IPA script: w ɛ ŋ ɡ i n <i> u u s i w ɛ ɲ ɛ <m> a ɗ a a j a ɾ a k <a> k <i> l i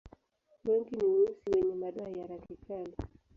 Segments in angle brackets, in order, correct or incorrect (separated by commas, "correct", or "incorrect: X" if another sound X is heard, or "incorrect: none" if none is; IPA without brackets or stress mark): correct, correct, incorrect: i, incorrect: a